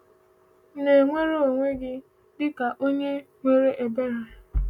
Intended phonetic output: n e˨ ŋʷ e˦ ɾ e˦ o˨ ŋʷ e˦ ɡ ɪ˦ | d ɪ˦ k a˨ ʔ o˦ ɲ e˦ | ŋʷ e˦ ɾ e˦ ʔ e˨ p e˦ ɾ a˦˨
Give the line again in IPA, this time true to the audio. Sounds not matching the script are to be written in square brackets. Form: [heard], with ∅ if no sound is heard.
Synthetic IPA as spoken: n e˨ ŋʷ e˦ ɾ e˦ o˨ ŋʷ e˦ ɡ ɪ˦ | d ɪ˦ k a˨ ʔ o˦ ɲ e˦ | ŋʷ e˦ ɾ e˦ ʔ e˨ [b] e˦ ɾ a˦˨